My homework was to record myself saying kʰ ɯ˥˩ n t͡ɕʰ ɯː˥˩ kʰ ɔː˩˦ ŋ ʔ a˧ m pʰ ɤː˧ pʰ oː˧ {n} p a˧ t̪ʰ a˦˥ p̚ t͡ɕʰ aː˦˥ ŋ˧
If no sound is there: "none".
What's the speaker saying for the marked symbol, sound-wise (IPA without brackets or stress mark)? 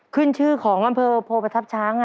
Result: none